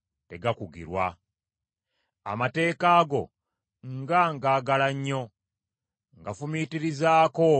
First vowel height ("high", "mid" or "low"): mid